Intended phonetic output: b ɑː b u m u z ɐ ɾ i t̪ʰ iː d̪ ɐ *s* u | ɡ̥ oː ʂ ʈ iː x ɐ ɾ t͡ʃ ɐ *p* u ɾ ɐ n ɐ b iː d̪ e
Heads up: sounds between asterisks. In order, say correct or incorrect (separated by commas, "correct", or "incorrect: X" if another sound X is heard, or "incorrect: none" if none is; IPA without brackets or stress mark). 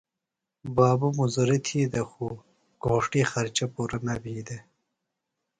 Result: incorrect: x, correct